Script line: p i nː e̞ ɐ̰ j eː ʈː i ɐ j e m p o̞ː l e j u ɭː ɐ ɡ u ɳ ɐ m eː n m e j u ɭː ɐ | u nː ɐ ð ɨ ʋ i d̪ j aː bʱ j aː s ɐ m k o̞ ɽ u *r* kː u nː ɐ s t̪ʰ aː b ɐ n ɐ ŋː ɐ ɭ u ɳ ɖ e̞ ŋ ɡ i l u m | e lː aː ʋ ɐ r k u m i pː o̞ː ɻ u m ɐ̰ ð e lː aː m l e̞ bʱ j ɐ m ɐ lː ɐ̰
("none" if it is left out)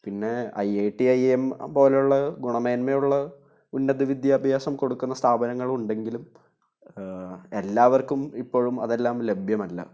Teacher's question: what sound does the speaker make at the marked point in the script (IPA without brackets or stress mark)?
none